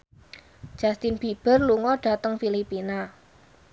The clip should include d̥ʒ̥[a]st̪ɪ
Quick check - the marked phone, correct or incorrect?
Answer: correct